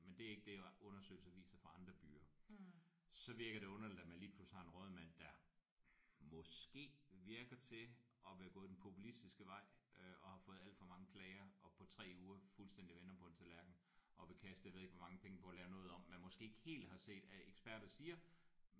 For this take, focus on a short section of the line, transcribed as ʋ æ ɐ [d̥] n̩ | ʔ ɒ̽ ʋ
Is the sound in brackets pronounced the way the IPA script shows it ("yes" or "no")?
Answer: no